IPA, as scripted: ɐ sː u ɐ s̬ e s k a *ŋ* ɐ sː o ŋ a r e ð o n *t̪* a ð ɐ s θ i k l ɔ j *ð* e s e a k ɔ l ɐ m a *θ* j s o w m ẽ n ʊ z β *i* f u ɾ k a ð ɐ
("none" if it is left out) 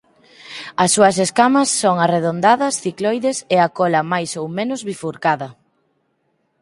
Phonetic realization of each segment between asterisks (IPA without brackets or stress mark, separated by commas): m, d̪, ð, none, i